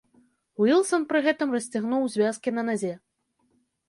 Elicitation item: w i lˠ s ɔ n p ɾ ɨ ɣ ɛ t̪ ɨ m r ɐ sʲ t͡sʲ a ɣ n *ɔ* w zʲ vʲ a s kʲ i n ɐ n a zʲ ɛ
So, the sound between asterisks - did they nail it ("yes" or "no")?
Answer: no